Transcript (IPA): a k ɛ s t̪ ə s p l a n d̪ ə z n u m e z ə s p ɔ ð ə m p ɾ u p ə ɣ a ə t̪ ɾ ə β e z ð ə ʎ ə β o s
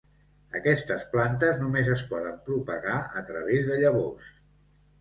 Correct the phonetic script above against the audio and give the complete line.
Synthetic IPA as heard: ə k ɛ s t̪ ə s p l a n t̪ ə z n u m e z ə s p ɔ ð ə m p ɾ u p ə ɣ a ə t̪ ɾ ə β e z ð ə ʎ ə β o s